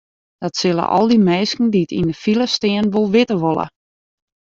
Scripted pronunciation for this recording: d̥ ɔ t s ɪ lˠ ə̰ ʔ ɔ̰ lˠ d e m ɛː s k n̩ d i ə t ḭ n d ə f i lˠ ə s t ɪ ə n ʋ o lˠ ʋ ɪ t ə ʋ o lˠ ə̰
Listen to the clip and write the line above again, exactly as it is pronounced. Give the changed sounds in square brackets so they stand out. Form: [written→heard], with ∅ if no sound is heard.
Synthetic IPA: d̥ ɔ t s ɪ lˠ ə̰ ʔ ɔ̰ lˠ d [e→i] m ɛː s k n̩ d i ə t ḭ n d ə f i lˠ ə s t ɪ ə n ʋ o lˠ ʋ ɪ t ə ʋ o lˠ ə̰